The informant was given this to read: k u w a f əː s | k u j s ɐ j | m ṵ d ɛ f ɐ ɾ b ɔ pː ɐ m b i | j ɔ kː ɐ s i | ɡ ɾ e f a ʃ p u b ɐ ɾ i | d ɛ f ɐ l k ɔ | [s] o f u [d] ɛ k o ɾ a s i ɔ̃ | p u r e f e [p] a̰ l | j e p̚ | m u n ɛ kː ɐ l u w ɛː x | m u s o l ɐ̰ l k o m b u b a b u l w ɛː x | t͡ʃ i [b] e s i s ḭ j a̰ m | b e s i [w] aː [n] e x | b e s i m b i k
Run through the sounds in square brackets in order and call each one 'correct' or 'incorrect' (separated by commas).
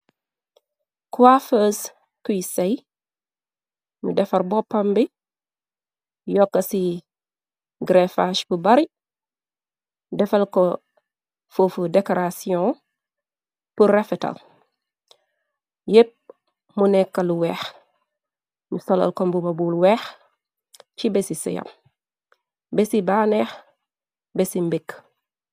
incorrect, correct, incorrect, correct, incorrect, correct